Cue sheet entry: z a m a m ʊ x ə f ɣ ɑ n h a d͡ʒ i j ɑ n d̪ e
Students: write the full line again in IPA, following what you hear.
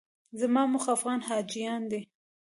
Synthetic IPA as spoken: z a m ɑ m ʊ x a f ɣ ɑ n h ɑ d͡ʒ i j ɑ n d̪ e